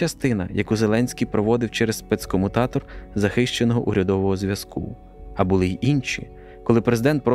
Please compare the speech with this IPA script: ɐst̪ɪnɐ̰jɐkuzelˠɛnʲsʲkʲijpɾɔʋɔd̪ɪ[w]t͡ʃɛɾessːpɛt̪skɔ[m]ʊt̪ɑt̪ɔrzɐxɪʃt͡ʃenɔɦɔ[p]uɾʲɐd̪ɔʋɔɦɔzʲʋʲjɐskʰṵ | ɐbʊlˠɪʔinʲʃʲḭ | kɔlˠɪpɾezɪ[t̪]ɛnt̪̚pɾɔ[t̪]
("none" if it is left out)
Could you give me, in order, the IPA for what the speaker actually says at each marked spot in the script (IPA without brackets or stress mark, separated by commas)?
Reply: w, m, ʔ, d̪, none